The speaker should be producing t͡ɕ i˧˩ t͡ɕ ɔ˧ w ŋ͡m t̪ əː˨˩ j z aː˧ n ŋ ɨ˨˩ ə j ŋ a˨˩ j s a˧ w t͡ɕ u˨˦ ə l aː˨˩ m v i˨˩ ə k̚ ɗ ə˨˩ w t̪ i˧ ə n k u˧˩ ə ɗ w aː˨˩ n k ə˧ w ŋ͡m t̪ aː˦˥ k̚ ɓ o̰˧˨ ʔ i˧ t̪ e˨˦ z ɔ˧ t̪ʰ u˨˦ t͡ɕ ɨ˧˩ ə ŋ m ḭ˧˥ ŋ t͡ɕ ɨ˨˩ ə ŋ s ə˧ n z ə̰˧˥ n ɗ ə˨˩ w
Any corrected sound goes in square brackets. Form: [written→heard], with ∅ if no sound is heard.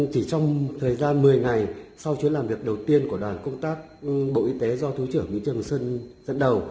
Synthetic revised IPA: t͡ɕ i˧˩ t͡ɕ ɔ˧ w ŋ͡m [t̪→t̪ʰ] əː˨˩ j z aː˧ n [ŋ→m] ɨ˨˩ ə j ŋ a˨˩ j s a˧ w t͡ɕ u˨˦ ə l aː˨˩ m v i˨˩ ə k̚ ɗ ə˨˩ w t̪ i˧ ə n k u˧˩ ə ɗ w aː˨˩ n k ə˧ w ŋ͡m t̪ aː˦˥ k̚ ɓ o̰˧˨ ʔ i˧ t̪ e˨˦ z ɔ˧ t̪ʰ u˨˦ t͡ɕ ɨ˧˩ ə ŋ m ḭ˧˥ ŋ t͡ɕ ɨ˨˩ ə ŋ s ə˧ n z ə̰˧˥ n ɗ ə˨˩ w